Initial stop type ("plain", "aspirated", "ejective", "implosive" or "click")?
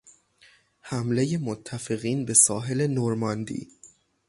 aspirated